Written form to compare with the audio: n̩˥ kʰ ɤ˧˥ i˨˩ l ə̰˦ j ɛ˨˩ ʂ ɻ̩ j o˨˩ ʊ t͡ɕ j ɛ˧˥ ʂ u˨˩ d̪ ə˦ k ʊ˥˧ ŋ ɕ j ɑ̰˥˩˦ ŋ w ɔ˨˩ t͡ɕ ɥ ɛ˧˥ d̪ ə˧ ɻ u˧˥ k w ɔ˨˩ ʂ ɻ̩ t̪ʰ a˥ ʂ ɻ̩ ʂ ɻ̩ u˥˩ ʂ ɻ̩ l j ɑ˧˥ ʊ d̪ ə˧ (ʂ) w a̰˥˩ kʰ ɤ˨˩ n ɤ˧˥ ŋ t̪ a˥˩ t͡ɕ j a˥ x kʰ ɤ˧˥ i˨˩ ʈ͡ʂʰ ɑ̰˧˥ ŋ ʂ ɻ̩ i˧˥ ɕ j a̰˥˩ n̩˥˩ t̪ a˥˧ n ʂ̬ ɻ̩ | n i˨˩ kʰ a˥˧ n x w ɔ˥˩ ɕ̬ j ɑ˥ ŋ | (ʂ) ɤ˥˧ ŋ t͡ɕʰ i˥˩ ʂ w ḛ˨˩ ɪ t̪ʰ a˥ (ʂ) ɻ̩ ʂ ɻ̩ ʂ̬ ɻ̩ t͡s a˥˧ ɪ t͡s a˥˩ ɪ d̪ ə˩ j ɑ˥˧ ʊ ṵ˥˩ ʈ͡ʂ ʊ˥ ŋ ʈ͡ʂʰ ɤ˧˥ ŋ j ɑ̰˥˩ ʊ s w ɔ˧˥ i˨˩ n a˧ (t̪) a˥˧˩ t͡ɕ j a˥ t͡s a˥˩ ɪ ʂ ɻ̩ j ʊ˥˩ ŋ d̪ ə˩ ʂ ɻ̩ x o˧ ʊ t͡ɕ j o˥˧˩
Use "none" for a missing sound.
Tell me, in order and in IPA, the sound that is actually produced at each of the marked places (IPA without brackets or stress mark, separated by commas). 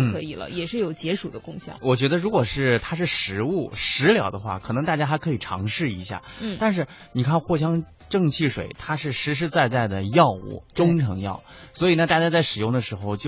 x, ʈ͡ʂ, ʂ, t̪